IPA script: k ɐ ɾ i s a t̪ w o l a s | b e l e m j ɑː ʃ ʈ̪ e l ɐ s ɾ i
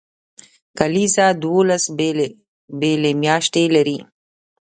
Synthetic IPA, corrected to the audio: k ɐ l i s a d̪ w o l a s | b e l e m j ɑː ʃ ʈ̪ e l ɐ ɾ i